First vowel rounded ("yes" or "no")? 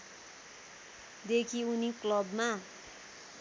no